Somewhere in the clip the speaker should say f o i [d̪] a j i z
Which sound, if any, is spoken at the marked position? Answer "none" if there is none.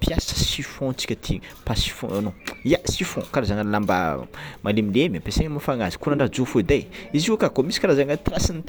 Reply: d̪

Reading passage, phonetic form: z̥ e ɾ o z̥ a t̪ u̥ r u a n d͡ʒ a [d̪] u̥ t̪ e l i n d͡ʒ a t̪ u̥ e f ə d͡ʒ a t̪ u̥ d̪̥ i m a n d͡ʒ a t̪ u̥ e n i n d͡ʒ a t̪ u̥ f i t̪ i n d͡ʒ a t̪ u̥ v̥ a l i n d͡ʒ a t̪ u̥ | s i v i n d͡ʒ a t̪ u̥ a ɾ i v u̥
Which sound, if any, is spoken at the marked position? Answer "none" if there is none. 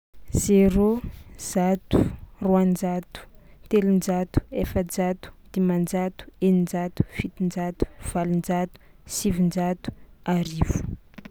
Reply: t̪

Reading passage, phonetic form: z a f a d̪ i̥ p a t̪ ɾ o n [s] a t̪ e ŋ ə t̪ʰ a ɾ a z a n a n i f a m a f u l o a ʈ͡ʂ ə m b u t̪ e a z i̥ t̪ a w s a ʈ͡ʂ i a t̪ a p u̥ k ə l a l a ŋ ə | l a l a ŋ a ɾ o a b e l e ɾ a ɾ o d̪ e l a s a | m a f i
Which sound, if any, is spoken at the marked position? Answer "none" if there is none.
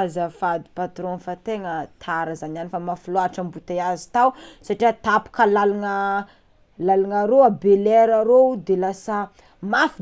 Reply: f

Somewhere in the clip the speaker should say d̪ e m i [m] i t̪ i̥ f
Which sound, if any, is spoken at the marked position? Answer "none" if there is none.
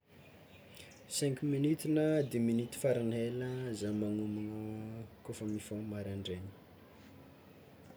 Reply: n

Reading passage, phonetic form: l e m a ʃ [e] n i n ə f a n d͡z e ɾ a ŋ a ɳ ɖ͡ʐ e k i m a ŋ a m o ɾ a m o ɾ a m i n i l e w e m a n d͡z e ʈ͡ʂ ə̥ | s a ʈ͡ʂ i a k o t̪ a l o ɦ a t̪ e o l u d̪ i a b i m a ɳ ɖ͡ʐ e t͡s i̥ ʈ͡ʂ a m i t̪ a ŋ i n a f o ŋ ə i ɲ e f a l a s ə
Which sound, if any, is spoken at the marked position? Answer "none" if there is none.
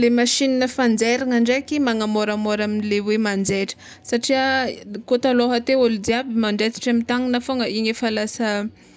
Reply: i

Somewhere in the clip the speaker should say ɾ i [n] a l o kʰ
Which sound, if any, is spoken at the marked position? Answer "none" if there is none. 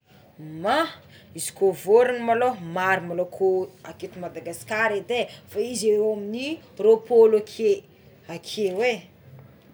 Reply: m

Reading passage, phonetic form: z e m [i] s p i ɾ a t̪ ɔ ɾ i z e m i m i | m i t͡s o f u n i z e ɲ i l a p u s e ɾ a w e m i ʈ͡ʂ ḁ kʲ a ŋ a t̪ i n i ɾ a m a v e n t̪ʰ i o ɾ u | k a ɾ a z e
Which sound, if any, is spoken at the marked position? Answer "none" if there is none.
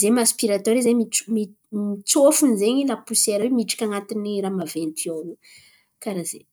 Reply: a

